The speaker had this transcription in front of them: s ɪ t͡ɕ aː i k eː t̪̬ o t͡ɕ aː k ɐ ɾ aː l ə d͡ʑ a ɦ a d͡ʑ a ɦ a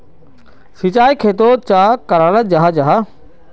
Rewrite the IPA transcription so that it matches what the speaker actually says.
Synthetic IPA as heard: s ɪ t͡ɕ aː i kʰ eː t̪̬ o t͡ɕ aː k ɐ ɾ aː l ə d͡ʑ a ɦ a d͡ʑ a ɦ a